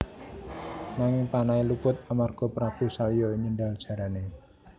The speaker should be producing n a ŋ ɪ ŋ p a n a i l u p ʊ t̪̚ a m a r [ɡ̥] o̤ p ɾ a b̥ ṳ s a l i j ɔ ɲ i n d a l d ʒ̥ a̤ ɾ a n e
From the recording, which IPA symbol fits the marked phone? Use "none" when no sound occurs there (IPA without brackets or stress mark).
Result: ɡ̥